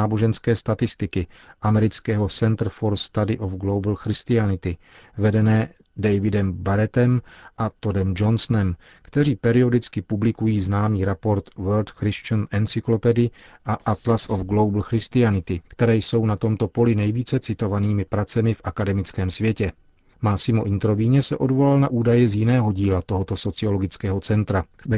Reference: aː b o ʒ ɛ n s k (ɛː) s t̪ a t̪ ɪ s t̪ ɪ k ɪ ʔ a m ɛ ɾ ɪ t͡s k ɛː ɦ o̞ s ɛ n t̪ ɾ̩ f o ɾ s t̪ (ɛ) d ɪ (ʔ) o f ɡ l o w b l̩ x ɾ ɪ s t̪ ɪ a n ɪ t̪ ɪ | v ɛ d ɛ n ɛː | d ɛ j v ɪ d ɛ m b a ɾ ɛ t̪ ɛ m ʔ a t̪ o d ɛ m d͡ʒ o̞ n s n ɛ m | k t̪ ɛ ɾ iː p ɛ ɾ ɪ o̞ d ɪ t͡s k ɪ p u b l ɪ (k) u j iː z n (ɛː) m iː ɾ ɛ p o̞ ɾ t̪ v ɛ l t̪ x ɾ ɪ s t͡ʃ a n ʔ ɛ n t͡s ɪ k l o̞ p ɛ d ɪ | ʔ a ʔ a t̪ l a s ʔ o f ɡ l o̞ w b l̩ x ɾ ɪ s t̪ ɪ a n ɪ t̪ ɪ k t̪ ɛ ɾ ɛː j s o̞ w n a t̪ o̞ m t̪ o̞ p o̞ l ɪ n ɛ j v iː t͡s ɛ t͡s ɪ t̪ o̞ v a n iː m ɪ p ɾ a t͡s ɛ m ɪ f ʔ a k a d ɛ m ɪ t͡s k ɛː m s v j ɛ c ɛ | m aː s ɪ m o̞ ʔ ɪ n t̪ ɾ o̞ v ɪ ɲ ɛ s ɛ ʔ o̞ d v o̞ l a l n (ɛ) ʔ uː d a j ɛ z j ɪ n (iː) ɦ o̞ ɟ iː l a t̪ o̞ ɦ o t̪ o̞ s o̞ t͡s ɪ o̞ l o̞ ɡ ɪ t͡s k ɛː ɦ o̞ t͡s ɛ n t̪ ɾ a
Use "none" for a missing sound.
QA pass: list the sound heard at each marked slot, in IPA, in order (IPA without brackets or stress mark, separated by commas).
ɛː, a, ʔ, k, aː, a, ɛː